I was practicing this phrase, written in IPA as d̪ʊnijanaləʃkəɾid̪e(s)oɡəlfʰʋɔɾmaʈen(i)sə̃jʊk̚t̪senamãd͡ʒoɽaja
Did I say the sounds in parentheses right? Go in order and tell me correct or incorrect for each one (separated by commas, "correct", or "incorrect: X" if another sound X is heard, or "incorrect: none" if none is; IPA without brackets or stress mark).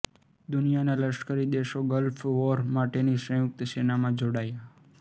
incorrect: ʃ, correct